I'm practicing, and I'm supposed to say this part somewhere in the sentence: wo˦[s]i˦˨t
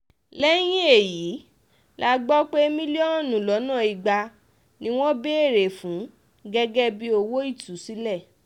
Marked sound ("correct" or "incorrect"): incorrect